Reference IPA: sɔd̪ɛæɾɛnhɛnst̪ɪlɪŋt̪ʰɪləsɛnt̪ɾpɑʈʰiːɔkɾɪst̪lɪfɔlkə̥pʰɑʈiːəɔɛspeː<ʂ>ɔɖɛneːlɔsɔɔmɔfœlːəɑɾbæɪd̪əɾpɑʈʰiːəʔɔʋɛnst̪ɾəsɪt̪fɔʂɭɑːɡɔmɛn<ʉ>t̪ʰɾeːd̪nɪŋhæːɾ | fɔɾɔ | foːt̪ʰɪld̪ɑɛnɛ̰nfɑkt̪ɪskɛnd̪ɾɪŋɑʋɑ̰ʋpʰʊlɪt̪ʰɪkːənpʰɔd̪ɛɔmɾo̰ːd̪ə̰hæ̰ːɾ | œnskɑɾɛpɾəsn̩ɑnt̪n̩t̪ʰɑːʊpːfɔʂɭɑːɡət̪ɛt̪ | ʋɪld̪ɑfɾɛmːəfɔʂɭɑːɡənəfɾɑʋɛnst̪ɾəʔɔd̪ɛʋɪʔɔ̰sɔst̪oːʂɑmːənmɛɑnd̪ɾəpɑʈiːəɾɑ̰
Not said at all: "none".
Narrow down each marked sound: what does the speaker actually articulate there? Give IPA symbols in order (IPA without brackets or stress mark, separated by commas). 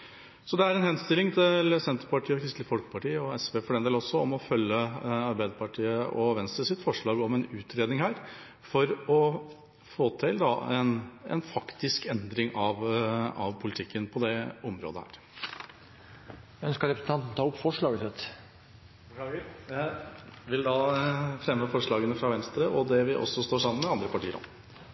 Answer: f, ʉː